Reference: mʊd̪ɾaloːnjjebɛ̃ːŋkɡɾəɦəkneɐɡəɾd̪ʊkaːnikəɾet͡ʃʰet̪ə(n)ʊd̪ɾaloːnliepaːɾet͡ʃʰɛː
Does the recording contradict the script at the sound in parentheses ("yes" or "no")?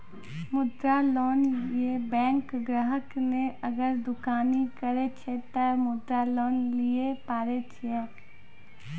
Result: yes